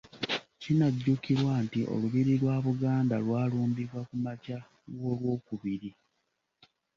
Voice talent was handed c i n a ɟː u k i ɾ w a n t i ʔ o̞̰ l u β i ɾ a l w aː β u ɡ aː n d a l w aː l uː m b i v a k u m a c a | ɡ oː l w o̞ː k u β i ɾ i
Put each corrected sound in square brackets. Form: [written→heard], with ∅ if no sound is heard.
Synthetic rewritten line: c i n a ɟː u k i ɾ w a n t i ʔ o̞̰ l u β i ɾ [a→i] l w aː β u ɡ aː n d a l w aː l uː m b i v a k u m a c a | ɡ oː l w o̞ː k u β i ɾ i